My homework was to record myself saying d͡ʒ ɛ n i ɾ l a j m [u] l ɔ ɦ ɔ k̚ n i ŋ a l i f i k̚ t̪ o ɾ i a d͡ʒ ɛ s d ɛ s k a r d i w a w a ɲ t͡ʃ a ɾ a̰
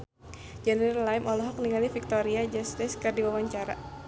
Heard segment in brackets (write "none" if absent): ɔ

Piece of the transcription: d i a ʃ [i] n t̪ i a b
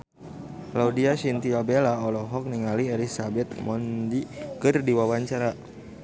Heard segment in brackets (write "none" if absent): i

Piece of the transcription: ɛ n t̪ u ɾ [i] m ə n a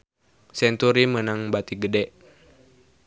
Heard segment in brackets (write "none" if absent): i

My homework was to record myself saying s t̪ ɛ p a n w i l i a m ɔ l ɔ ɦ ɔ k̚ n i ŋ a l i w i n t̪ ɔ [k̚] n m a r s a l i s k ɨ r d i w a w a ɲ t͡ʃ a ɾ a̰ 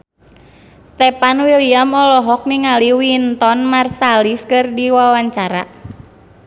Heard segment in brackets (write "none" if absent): none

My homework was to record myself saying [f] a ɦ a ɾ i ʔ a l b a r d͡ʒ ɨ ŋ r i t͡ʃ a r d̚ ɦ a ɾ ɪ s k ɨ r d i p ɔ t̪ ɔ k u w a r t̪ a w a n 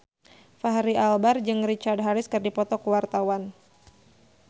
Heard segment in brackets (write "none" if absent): f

